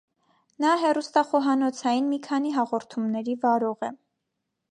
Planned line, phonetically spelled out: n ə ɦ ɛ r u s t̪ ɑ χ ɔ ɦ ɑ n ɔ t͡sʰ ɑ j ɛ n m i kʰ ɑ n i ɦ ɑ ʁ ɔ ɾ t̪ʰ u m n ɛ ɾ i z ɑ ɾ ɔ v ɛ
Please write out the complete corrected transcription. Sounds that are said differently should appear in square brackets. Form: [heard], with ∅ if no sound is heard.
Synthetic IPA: n [ɑ] ɦ ɛ r u s t̪ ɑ χ ɔ ɦ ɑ n ɔ t͡sʰ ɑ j [i] n m i kʰ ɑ n i ɦ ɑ ʁ ɔ ɾ t̪ʰ u m n ɛ ɾ i [v] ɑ ɾ ɔ [ʁ] ɛ